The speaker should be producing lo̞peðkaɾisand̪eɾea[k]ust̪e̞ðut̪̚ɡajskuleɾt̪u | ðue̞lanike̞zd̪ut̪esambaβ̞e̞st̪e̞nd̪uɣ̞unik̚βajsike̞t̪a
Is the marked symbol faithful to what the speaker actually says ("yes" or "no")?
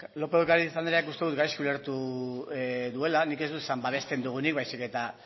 yes